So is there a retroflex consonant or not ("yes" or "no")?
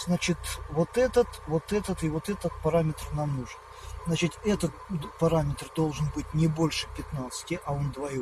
yes